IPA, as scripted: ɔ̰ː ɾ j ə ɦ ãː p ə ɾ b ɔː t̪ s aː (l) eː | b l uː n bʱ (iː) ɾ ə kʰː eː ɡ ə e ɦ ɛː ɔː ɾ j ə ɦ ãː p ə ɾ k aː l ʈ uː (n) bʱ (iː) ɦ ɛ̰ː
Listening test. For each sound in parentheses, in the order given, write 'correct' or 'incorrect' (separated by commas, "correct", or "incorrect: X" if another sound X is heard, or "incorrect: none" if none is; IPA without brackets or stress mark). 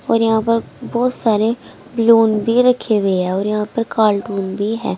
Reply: incorrect: ɾ, correct, correct, correct